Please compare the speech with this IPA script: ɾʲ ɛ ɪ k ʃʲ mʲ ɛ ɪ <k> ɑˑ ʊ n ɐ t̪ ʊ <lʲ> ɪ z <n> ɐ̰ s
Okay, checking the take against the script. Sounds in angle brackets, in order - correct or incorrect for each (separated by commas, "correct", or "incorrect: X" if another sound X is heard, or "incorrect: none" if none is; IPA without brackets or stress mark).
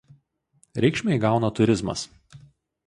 incorrect: ɡ, incorrect: ɾʲ, incorrect: m